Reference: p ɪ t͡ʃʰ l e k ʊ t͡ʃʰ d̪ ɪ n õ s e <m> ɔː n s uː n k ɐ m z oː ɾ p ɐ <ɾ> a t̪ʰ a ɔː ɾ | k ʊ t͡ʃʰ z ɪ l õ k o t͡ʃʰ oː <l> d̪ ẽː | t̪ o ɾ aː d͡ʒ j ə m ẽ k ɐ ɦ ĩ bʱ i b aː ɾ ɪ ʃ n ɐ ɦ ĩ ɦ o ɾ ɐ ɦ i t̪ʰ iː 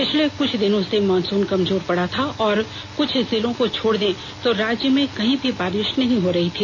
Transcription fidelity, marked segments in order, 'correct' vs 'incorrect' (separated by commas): correct, incorrect, incorrect